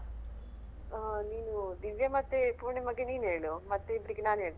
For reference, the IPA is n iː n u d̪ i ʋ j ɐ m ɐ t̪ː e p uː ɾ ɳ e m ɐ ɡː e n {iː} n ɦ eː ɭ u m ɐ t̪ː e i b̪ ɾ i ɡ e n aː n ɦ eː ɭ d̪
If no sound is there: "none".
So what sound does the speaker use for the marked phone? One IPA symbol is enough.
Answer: iː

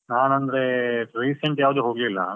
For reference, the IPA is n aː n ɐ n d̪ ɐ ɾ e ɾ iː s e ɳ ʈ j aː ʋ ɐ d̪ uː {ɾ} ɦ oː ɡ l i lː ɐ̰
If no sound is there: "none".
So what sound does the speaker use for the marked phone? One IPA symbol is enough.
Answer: none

